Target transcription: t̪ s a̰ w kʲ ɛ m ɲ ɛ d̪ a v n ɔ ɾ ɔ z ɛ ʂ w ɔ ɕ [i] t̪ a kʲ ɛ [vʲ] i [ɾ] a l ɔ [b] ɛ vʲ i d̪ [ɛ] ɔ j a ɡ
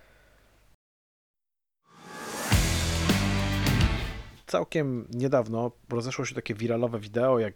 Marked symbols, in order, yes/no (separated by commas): no, yes, yes, no, yes